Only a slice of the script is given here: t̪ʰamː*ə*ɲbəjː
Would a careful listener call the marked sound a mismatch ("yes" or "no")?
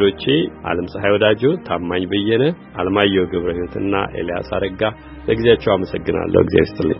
yes